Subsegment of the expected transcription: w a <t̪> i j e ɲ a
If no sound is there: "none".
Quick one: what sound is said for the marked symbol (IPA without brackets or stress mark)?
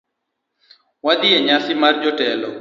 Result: d̪